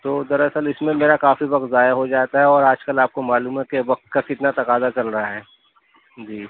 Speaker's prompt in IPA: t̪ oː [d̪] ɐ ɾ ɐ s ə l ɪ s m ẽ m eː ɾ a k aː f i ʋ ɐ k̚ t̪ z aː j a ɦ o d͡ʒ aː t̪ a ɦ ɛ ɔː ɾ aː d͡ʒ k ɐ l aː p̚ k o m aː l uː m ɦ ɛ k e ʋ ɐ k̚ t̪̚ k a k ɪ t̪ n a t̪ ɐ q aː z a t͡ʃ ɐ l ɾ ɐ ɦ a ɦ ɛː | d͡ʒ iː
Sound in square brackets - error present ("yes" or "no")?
no